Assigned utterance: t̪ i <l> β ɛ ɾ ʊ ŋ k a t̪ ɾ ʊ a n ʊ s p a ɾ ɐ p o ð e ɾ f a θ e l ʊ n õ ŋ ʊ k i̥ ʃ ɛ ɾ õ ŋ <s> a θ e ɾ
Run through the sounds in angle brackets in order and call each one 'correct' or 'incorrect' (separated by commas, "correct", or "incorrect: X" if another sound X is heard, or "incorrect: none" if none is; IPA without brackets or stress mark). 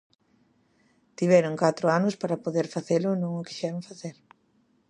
incorrect: none, incorrect: f